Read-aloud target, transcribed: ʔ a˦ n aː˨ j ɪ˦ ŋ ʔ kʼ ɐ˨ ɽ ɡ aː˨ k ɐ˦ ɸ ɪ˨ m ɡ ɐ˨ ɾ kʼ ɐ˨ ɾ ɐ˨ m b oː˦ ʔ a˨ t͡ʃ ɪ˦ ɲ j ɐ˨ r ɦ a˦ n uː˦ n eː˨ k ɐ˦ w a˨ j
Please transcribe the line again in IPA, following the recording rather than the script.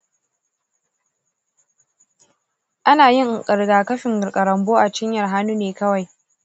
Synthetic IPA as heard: ʔ a˦ n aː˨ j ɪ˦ ŋ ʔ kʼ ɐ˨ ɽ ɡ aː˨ k ɐ˦ ɸ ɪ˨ ŋ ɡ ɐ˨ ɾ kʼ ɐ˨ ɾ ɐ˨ m b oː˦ ʔ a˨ t͡ʃ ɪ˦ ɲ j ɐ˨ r ɦ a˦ n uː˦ n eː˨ k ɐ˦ w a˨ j